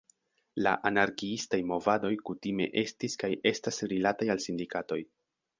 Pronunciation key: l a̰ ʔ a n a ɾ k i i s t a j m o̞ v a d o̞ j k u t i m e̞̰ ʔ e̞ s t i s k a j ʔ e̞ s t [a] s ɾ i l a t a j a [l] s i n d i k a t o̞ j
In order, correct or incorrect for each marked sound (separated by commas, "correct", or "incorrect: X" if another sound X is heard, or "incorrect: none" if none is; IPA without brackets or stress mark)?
correct, correct